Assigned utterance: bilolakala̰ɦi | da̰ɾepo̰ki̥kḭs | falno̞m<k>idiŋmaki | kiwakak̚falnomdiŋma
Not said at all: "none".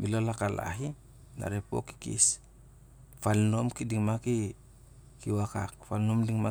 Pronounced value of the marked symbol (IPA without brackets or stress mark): k